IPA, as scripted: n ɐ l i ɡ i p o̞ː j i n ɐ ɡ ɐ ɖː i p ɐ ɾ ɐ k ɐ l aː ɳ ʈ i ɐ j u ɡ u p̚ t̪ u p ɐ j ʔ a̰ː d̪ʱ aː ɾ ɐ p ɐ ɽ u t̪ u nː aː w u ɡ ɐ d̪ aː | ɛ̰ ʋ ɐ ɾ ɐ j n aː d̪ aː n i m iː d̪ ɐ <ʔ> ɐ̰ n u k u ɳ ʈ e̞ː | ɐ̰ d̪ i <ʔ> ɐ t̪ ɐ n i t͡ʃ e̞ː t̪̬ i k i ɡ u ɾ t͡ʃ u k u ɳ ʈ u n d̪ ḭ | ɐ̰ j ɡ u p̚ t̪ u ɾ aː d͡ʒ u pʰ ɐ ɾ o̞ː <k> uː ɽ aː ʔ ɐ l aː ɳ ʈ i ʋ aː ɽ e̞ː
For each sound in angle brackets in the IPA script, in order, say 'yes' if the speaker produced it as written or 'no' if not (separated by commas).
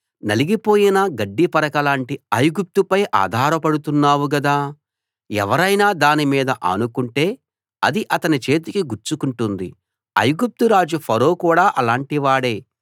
yes, yes, yes